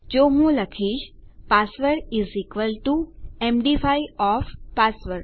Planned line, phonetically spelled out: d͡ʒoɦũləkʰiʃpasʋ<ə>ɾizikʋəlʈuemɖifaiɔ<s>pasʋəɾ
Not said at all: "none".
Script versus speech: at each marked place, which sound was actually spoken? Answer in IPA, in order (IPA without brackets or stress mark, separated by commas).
ə, f